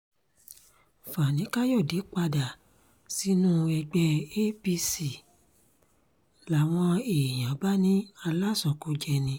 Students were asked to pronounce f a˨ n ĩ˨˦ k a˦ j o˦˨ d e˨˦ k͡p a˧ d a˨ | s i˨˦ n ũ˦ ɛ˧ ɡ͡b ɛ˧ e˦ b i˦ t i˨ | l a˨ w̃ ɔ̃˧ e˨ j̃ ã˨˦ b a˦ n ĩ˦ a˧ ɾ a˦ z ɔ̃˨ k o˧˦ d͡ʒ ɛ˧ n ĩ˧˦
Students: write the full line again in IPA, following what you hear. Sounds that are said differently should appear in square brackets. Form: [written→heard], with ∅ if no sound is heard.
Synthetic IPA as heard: f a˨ n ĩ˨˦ k a˦ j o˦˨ d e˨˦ k͡p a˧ d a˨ | s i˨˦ n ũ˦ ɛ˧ ɡ͡b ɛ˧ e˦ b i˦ [t→s] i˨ | l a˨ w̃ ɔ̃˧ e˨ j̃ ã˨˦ b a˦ n ĩ˦ a˧ [ɾ→l] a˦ [z→s] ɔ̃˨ k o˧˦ d͡ʒ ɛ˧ n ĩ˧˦

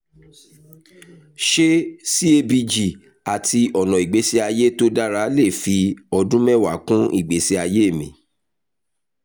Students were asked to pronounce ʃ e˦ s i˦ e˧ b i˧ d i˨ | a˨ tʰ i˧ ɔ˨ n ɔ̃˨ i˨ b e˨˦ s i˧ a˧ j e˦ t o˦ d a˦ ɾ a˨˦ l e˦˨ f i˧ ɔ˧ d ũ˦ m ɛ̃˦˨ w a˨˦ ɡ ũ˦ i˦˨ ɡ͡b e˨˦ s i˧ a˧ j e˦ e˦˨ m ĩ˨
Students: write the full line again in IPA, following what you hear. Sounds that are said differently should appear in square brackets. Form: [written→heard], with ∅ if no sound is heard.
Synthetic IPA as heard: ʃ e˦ s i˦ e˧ b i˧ [d→d͡ʒ] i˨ | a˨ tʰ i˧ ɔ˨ n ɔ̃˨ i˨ [b→ɡ͡b] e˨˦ s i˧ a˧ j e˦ t o˦ d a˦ ɾ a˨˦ l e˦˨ f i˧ ɔ˧ d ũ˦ m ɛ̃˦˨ w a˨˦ [ɡ→k] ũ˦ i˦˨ ɡ͡b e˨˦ s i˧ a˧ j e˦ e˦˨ m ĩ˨

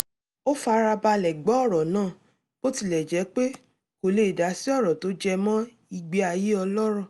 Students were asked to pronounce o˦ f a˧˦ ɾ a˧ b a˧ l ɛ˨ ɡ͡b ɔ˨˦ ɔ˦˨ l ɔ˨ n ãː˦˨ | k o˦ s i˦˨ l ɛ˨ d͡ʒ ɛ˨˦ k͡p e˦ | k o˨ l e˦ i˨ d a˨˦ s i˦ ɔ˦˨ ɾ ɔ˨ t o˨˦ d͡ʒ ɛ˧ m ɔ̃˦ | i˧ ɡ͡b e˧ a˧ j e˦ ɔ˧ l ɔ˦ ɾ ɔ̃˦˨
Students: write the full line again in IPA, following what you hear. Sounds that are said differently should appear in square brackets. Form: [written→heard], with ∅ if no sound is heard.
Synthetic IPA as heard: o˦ f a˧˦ ɾ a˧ b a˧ l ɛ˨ ɡ͡b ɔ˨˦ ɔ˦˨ [l→ɾ] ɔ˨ n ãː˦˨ | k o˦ [s→t] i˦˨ l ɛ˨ d͡ʒ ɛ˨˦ k͡p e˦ | k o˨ l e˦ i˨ d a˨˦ s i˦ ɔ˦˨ ɾ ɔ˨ t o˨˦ d͡ʒ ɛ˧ m ɔ̃˦ | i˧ ɡ͡b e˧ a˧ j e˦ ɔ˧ l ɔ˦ ɾ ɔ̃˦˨

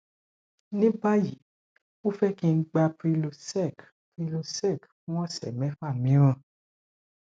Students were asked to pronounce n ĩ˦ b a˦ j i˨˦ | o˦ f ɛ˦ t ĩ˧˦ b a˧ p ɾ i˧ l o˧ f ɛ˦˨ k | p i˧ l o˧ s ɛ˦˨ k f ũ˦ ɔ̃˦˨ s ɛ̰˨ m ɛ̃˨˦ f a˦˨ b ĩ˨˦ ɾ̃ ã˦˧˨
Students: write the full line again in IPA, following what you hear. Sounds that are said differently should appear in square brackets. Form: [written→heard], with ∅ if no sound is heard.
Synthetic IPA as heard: n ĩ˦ b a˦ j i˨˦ | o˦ f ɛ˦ [t→k] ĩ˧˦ [b→ɡ͡b] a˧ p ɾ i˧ l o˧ [f→s] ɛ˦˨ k | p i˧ l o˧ s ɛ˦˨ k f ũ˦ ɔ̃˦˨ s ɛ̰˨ m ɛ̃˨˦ f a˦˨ [b→m] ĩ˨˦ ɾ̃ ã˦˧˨

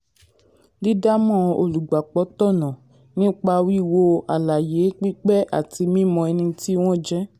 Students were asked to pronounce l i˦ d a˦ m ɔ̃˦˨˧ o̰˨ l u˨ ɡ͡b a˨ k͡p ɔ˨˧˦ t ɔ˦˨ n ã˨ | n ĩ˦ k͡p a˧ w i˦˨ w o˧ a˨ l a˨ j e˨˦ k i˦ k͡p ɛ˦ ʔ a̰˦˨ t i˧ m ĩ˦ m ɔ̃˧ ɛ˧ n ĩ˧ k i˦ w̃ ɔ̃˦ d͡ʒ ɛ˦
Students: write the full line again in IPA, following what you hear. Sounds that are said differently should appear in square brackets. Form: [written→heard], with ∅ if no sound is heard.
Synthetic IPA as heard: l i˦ d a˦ m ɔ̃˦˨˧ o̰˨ l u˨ ɡ͡b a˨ k͡p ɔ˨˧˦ t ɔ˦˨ n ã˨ | n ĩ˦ k͡p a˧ w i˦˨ w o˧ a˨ l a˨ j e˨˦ [k→k͡p] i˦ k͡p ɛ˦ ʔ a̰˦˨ t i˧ m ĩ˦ m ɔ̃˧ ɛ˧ n ĩ˧ [k→t] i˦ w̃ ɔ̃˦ d͡ʒ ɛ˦

